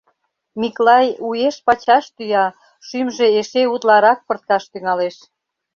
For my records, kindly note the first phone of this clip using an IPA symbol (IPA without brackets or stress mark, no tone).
m